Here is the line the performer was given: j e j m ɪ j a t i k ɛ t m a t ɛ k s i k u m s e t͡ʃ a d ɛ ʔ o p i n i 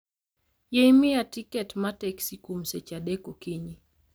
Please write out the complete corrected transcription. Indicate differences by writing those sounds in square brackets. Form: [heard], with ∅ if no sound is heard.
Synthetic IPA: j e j m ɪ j a t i k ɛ t m a t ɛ k s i k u m s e t͡ʃ a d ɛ [k] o [k] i [ɲ] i